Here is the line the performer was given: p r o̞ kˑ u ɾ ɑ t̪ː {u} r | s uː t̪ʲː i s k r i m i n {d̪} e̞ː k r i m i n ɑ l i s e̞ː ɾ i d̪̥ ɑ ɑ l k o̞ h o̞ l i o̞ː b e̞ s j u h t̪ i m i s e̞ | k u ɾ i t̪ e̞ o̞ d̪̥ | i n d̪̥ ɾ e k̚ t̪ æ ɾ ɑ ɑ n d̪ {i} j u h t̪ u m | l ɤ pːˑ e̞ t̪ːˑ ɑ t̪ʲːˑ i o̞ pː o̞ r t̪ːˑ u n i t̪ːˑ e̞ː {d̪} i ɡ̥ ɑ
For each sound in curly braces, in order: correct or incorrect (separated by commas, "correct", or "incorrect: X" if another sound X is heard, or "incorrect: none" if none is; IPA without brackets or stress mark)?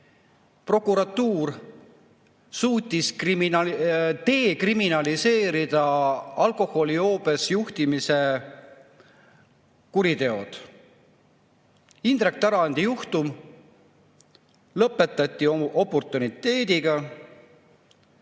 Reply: incorrect: uː, incorrect: t̪, correct, correct